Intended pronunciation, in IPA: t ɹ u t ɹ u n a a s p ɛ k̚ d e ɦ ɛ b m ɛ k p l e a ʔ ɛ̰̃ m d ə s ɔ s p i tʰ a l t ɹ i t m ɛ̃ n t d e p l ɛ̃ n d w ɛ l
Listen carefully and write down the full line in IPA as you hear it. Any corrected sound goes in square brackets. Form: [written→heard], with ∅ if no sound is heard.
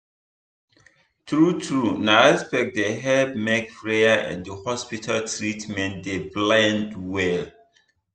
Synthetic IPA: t ɹ u t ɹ u n a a s p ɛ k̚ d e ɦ ɛ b m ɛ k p [l→ɹ] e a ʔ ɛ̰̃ [m→n] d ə [s→h] ɔ s p i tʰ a l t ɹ i t m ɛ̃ n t d e [p→b] l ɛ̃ n d w ɛ l